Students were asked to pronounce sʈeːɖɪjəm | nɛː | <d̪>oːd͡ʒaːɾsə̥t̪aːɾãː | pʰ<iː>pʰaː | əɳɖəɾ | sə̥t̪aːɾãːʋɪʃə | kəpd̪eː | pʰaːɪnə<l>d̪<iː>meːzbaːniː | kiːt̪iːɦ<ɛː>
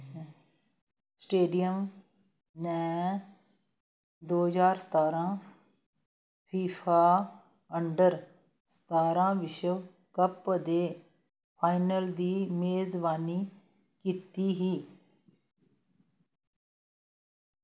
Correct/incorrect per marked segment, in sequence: correct, correct, correct, correct, incorrect: iː

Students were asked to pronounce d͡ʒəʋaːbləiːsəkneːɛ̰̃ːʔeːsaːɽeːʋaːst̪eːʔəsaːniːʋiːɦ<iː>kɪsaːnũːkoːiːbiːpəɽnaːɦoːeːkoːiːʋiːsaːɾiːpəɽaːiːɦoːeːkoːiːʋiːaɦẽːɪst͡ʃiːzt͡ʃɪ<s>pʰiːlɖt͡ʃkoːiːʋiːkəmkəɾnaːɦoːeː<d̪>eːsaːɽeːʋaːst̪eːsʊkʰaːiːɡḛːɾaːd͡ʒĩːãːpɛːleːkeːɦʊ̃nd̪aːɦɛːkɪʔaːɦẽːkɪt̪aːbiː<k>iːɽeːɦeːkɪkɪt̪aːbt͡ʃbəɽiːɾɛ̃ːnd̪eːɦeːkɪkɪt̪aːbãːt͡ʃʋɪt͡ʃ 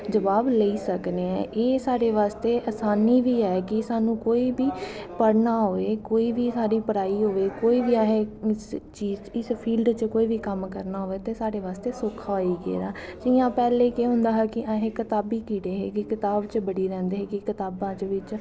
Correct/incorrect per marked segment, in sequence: incorrect: ɛː, correct, incorrect: t̪, correct

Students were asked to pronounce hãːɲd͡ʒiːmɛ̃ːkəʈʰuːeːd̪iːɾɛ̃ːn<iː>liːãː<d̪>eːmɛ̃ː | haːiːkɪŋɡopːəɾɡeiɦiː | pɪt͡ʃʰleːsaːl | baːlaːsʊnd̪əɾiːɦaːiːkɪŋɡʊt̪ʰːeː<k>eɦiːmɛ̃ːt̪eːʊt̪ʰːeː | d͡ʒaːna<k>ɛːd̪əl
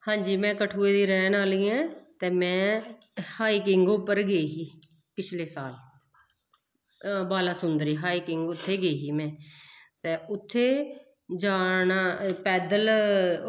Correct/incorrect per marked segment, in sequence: incorrect: aː, incorrect: t̪, incorrect: ɡ, incorrect: p

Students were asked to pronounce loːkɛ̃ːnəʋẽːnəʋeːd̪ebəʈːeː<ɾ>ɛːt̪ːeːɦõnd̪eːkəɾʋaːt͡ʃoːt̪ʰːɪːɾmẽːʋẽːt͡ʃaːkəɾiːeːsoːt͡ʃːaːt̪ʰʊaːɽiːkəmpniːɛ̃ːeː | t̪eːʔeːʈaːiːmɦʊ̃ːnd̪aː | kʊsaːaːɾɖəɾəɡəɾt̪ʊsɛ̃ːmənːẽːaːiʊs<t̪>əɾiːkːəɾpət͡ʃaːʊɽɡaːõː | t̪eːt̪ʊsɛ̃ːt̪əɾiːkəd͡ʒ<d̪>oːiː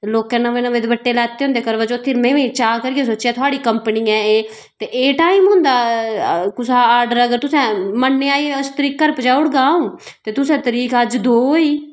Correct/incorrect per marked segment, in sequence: incorrect: l, correct, correct

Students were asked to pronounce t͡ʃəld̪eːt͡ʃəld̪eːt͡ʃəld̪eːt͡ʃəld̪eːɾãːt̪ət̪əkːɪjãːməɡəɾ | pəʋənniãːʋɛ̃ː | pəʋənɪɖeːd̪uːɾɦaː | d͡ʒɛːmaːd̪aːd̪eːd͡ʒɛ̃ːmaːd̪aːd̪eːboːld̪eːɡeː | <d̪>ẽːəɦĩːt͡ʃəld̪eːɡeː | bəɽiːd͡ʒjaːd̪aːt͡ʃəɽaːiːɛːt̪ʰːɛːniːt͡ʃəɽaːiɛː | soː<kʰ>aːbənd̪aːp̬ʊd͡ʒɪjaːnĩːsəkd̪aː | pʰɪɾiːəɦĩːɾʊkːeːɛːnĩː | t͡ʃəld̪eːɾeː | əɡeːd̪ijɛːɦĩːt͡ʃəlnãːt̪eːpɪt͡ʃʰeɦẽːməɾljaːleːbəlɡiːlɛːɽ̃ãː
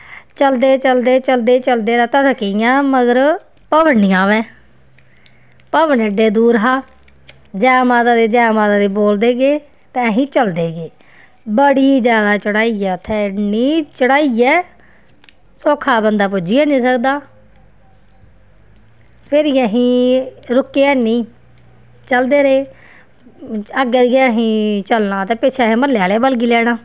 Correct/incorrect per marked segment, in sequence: incorrect: t̪, correct

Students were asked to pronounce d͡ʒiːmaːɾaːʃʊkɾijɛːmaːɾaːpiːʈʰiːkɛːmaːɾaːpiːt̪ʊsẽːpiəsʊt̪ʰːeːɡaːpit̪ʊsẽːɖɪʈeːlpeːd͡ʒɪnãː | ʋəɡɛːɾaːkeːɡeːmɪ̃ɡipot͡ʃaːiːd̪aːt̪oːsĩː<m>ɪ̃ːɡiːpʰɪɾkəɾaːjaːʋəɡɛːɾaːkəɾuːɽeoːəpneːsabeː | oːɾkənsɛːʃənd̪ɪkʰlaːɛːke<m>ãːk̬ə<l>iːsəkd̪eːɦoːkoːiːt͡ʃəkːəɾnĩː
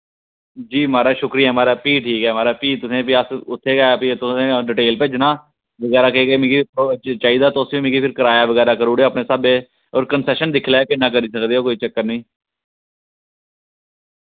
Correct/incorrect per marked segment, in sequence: correct, incorrect: n, incorrect: ɾ

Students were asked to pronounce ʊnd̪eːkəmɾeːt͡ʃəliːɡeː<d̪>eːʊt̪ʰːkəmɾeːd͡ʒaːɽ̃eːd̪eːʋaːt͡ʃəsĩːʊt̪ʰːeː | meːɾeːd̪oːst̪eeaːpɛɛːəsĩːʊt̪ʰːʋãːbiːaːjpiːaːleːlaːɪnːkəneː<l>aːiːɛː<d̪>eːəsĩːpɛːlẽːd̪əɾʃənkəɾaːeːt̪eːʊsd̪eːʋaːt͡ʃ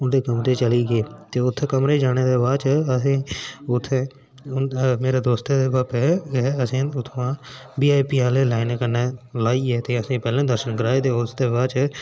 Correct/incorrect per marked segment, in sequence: incorrect: t̪, correct, incorrect: t̪

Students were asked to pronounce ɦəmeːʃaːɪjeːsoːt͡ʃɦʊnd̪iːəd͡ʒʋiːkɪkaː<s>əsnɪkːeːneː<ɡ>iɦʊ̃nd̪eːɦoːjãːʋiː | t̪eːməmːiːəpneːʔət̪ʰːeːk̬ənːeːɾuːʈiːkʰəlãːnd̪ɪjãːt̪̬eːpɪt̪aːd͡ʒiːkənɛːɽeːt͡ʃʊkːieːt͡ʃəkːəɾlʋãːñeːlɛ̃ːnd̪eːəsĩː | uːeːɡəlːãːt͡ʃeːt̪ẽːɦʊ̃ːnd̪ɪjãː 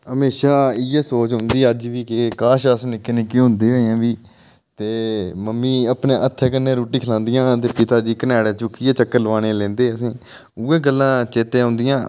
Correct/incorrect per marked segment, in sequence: incorrect: ʃ, incorrect: k

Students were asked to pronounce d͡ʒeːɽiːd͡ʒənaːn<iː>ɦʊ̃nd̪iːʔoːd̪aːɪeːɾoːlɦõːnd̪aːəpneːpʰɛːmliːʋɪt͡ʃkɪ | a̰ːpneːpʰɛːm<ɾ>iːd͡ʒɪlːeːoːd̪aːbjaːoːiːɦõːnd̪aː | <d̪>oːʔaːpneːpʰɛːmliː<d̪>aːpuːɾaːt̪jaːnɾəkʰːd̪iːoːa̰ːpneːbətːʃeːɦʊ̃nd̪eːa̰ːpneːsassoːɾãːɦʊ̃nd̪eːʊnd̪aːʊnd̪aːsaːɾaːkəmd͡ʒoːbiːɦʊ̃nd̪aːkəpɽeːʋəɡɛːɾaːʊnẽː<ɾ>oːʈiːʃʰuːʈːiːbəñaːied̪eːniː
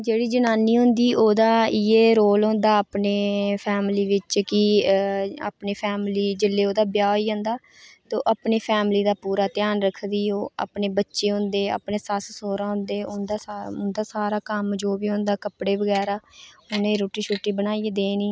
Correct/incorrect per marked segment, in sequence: correct, incorrect: l, incorrect: t̪, correct, correct

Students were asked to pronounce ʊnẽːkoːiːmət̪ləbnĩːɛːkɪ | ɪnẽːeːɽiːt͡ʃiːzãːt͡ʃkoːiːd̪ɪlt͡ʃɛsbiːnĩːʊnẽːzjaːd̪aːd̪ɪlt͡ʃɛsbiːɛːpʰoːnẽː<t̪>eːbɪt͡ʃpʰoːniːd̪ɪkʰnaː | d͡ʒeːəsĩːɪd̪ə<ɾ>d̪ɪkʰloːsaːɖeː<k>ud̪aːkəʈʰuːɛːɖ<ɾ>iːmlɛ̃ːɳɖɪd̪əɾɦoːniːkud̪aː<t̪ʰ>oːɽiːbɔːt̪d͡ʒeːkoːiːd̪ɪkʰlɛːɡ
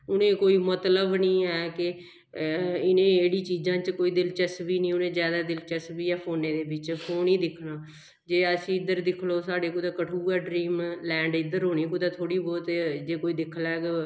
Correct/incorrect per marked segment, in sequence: incorrect: d̪, correct, correct, correct, correct

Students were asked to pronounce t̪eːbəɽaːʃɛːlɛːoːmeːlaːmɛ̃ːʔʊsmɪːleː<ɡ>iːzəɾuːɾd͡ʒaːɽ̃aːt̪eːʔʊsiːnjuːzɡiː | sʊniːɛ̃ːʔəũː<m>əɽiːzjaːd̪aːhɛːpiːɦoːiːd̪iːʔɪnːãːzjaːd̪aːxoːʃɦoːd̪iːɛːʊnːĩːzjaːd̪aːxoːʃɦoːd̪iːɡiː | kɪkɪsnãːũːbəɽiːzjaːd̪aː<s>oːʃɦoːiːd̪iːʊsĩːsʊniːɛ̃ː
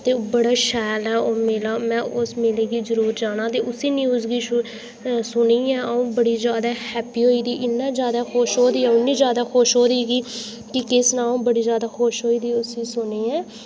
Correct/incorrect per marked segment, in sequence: correct, incorrect: b, incorrect: x

